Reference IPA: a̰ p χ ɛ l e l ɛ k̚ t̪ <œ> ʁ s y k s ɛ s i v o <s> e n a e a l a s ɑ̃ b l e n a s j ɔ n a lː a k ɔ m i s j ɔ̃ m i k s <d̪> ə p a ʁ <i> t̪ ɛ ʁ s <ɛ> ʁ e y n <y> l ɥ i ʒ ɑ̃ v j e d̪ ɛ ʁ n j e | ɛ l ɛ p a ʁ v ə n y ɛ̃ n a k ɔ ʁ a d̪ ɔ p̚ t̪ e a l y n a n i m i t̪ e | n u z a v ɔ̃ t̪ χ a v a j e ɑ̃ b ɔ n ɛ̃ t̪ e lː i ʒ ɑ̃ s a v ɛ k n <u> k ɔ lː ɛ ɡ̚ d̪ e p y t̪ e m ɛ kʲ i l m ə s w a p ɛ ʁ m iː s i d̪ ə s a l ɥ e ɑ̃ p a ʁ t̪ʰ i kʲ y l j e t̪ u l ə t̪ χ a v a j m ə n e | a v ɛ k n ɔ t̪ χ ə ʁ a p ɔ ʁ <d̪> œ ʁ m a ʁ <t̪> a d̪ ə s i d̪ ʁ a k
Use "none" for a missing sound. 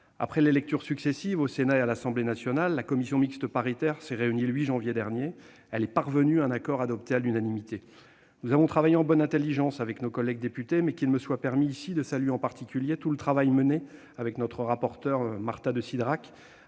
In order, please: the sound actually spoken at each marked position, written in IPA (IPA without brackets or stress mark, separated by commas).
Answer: y, s, t̪, i, ɛ, i, o, t̪, t̪